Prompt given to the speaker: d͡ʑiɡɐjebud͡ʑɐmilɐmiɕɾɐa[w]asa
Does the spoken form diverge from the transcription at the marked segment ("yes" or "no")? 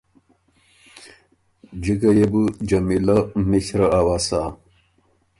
no